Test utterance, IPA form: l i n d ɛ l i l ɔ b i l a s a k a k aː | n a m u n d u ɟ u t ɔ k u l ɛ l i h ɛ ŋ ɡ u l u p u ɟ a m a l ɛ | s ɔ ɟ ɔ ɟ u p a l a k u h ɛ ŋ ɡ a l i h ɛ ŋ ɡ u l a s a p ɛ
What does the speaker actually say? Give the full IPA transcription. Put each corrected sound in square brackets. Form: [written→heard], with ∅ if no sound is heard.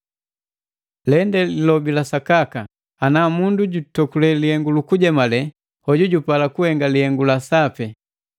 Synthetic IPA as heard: l [i→ɛ] n d ɛ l i l ɔ b i l a s a k a k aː | n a m u n d u ɟ u t ɔ k u l ɛ l i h ɛ ŋ ɡ u l u [p→k] u ɟ [a→ɛ] m a l ɛ | [s→h] ɔ ɟ [ɔ→u] ɟ u p a l a k u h ɛ ŋ ɡ a l i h ɛ ŋ ɡ u l a s a p ɛ